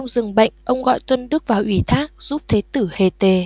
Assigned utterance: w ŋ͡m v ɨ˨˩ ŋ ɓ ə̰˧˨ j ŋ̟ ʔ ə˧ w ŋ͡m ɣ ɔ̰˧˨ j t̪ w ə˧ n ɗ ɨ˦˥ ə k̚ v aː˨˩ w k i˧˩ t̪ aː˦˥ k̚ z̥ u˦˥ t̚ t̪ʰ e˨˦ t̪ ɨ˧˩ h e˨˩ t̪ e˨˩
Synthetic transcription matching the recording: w ŋ͡m z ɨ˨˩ ŋ ɓ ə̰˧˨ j ŋ̟ ʔ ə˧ w ŋ͡m ɣ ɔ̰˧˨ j t̪ w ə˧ n ɗ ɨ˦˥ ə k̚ v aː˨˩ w ʔ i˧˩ t̪ʰ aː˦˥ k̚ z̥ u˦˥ p̚ t̪ʰ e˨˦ t̪ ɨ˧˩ h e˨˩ t̪ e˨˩